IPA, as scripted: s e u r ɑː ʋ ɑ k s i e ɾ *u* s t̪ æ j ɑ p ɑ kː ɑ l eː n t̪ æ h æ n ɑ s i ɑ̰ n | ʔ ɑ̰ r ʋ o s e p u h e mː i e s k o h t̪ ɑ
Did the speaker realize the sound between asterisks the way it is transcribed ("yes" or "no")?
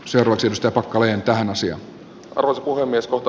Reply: yes